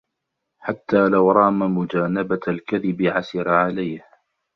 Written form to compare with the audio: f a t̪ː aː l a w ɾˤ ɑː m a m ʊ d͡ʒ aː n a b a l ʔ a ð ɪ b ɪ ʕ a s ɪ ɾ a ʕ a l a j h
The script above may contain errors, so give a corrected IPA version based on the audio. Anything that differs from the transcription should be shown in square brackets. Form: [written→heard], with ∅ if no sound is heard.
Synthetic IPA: [f→ħ] a t̪ː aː l a w ɾˤ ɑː m a m ʊ d͡ʒ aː n a b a l [ʔ→k] a ð ɪ b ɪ ʕ a s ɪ ɾ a ʕ a l a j h